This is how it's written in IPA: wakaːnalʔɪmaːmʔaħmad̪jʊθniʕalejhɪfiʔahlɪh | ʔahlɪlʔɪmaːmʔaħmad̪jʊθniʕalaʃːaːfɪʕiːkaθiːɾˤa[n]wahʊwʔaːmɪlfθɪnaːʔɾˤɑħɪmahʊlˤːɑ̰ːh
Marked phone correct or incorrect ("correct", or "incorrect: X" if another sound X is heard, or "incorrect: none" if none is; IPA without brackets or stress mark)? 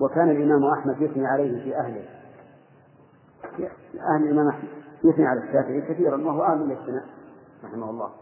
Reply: correct